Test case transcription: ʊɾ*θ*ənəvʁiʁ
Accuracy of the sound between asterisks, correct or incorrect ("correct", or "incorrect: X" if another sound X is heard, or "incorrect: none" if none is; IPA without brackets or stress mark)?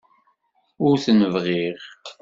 correct